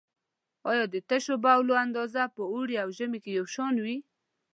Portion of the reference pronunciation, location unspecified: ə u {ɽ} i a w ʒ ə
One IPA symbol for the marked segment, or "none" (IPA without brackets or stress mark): ɽ